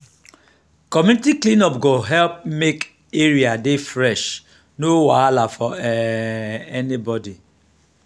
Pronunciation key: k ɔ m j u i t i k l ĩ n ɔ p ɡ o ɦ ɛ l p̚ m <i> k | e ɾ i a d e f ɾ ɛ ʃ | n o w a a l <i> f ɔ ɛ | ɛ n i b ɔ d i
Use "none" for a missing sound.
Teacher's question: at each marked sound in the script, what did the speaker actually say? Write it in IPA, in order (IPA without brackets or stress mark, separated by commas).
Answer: e, a